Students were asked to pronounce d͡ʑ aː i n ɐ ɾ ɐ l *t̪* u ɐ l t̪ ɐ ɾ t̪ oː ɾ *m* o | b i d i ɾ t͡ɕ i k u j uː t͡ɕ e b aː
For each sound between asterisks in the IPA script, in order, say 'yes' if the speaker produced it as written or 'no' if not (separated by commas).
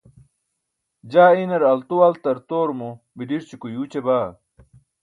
yes, yes